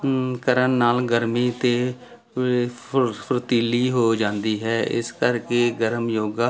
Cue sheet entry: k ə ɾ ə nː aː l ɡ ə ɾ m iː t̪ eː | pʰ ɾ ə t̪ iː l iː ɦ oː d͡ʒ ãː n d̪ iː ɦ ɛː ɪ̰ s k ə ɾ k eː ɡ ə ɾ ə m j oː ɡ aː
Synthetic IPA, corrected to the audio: k ə ɾ ə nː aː l ɡ ə ɾ m iː t̪ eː | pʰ ɾ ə t̪ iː l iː ɦ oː d͡ʒ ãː n d̪ iː ɦ ɛː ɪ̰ s k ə ɾ k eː ɡ ə ɾ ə m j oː ɡ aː